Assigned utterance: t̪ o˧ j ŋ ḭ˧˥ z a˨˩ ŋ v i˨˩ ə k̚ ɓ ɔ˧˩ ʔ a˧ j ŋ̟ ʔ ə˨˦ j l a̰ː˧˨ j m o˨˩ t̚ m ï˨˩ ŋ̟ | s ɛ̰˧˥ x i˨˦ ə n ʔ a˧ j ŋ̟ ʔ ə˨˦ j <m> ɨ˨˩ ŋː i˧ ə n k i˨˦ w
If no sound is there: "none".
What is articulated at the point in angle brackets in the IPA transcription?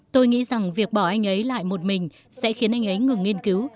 ŋ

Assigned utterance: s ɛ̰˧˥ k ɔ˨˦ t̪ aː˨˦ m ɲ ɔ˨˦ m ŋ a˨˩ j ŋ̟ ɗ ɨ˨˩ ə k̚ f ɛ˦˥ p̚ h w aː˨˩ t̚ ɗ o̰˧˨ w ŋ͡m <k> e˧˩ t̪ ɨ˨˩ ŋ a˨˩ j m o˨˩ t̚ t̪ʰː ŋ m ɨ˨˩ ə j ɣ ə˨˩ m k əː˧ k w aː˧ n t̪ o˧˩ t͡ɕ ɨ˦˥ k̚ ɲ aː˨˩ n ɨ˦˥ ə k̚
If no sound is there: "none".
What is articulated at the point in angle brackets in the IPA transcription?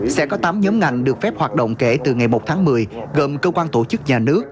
k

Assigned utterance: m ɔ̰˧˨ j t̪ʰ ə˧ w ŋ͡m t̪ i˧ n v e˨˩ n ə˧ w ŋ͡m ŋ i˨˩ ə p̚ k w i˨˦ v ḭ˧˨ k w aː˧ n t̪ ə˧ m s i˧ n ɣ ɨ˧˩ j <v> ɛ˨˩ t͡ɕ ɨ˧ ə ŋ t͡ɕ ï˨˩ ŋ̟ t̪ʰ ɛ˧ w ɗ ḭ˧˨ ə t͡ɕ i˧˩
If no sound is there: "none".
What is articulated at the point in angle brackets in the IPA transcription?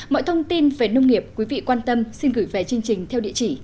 v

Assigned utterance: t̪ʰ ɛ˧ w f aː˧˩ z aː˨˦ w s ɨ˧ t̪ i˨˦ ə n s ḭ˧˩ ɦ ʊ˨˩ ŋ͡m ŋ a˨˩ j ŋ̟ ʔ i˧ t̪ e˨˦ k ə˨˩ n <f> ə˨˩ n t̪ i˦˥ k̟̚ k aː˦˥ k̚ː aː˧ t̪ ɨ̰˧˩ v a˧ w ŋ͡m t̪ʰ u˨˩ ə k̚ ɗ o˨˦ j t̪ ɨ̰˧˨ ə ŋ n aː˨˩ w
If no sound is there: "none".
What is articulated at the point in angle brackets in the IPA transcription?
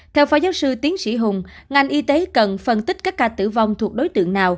f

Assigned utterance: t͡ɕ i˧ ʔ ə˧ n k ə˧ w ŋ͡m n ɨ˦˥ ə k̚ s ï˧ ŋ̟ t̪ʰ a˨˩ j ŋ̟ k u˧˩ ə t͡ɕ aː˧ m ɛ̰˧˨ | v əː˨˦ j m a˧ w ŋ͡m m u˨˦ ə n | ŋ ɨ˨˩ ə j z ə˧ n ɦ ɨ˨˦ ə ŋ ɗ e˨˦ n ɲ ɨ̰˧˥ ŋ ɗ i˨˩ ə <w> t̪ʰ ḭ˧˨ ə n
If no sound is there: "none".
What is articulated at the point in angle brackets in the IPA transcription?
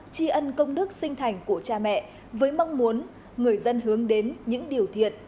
w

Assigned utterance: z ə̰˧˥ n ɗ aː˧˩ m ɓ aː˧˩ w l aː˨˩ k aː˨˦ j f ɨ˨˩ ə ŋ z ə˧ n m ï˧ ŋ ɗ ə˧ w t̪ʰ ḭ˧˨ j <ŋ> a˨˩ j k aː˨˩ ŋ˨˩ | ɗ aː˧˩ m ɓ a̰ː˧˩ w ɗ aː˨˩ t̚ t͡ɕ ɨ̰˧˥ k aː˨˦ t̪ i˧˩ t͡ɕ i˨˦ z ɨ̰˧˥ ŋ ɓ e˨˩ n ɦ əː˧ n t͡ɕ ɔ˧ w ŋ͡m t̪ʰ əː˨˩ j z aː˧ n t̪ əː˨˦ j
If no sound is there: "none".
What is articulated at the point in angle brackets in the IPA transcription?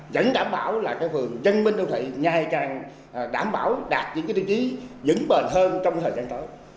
ŋ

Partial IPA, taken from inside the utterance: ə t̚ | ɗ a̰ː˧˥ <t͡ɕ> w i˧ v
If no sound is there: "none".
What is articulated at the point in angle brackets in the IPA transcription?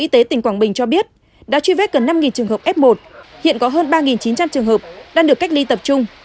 t͡ɕ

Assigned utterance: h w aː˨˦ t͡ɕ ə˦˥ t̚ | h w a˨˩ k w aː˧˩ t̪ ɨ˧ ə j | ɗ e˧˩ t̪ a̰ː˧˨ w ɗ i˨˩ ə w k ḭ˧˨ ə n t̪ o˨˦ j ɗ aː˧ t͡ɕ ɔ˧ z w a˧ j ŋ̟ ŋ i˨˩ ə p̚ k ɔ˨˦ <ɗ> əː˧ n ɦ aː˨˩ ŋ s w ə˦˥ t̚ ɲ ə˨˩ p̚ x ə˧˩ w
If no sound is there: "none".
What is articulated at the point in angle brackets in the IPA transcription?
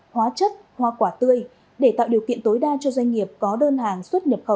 ɗ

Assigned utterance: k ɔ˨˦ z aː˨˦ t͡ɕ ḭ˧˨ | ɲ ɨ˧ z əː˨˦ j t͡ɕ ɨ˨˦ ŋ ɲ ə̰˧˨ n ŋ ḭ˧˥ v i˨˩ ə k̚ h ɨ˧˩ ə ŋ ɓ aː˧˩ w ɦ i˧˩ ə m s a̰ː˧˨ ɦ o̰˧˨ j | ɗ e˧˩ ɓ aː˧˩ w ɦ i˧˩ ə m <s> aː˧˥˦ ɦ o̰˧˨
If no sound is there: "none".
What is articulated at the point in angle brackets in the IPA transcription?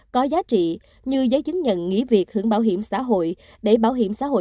s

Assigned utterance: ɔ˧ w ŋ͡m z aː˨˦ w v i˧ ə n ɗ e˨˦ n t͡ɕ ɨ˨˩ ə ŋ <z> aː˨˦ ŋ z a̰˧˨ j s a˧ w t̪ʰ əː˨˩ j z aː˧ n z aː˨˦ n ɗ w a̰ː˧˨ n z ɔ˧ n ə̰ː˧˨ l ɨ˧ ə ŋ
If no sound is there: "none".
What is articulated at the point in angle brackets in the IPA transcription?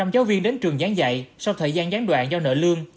z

